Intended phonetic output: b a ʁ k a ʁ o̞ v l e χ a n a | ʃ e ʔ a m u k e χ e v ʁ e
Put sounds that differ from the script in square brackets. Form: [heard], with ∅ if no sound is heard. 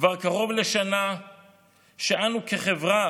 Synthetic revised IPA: [v] a ʁ k a ʁ o̞ v l e [ʃ] a n a | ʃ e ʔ a [n] u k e χ e v ʁ [a]